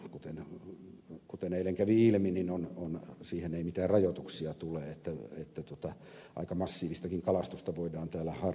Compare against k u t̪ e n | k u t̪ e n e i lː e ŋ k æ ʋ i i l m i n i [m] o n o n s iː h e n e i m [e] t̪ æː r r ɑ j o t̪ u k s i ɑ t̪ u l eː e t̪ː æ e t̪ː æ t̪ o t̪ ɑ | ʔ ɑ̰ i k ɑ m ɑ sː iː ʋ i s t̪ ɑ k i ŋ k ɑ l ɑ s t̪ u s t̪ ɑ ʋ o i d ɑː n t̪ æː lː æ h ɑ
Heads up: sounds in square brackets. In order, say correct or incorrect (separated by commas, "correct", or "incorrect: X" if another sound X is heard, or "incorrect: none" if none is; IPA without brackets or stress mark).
incorrect: n, incorrect: i